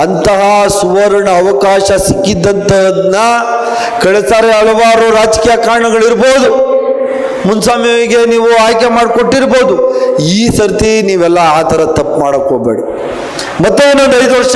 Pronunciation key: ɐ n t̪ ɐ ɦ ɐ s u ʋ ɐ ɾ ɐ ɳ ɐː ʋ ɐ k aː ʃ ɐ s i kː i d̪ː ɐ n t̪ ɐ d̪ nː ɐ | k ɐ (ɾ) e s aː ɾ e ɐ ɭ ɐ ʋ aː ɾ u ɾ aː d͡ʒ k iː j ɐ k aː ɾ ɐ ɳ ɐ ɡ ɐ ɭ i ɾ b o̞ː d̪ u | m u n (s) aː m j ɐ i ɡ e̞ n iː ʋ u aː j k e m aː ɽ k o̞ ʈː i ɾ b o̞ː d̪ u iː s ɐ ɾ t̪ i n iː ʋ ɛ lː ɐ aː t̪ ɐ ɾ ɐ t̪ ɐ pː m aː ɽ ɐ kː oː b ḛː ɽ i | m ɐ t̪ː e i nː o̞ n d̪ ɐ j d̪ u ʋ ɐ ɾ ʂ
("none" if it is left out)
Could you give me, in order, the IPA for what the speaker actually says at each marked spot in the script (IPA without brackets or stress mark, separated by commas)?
ɭ, s